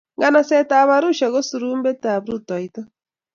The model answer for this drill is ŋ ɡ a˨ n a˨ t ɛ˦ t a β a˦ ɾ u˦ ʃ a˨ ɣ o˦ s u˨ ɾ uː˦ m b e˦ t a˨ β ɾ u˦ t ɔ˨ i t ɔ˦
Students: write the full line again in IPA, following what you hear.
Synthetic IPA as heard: ŋ ɡ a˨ n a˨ s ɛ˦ t a β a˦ ɾ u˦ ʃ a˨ ɣ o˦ s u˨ ɾ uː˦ m b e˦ t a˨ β ɾ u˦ t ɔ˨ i t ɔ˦